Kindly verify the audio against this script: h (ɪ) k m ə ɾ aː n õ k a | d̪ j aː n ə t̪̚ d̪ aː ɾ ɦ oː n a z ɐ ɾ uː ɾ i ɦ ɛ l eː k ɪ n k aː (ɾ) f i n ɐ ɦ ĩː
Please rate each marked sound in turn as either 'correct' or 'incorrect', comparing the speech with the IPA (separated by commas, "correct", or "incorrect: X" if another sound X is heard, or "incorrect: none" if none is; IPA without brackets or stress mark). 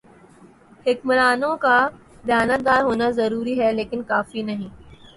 correct, incorrect: none